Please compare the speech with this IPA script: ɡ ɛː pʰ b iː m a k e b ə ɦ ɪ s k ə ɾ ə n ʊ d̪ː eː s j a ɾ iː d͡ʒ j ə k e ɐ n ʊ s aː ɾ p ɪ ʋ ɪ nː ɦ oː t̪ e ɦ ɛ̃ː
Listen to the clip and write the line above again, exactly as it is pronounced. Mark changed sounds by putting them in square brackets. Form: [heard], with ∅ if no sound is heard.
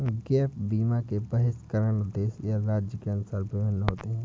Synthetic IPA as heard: ɡ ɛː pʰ b iː m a k e b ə ɦ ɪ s k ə ɾ ə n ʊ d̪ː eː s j a ɾ [aː] d͡ʒ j ə k e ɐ n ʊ s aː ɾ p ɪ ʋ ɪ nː ɦ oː t̪ e ɦ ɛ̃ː